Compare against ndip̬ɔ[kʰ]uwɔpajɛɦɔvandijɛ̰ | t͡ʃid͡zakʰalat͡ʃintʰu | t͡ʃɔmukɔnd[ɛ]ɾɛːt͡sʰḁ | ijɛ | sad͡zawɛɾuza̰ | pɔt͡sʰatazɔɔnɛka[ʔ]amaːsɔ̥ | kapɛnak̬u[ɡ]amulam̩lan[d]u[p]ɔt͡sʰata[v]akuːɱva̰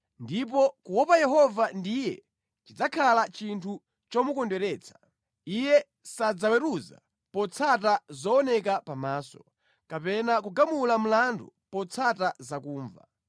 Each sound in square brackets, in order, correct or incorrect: incorrect: k, correct, incorrect: p, correct, correct, correct, incorrect: z

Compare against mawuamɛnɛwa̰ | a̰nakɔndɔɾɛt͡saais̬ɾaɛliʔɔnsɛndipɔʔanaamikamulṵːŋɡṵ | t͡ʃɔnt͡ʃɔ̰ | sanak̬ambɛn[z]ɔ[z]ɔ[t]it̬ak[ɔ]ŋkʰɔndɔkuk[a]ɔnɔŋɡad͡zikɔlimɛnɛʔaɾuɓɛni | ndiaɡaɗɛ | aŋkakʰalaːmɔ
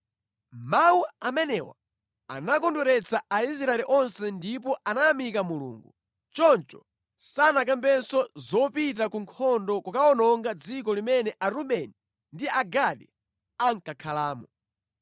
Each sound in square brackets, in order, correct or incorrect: incorrect: s, correct, incorrect: p, incorrect: u, correct

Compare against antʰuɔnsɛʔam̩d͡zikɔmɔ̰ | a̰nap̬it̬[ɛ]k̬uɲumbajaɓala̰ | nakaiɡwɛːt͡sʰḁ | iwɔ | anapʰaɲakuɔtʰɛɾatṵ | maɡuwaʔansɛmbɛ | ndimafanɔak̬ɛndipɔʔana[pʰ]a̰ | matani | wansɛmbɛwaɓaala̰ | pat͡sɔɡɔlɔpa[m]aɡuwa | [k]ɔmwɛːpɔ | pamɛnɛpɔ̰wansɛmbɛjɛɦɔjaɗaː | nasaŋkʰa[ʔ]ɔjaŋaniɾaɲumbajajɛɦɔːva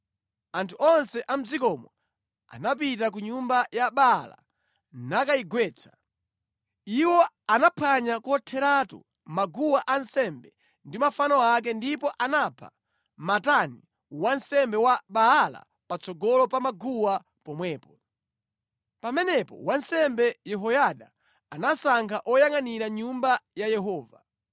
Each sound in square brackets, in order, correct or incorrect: incorrect: a, correct, correct, incorrect: p, correct

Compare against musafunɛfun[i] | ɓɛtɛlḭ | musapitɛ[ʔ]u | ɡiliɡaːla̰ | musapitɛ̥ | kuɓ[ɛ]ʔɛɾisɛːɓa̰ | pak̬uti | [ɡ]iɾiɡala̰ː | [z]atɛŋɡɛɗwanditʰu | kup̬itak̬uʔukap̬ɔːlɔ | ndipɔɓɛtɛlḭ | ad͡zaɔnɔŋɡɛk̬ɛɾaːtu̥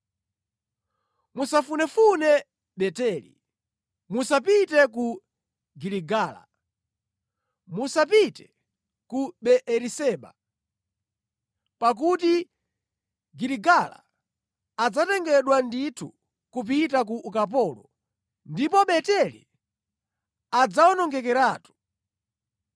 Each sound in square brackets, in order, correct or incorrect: incorrect: ɛ, incorrect: k, correct, correct, incorrect: d͡z

